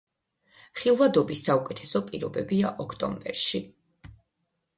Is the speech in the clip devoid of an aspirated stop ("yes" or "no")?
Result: no